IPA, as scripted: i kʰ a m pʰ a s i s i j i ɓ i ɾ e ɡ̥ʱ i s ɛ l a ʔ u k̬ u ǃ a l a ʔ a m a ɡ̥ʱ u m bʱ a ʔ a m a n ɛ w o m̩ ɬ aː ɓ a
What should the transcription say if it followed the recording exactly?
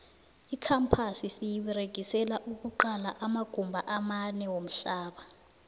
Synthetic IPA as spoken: i kʰ a m pʰ a s i s i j i ɓ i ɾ e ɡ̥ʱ i s ɛ l a ʔ u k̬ u ǃ a l a ʔ a m a ɡ̥ʱ u m bʱ a ʔ a m a n ɛ w o m̩ ɬ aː ɓ a